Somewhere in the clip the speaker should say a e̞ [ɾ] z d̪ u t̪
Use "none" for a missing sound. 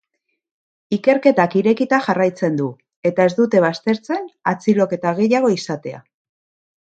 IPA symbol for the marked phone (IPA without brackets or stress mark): none